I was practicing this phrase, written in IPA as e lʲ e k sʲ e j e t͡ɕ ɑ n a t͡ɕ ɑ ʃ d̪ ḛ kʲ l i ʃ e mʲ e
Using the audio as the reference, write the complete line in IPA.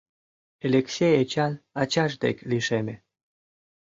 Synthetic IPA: e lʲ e k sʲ e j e t͡ɕ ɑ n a t͡ɕ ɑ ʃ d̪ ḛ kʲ l i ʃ e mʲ e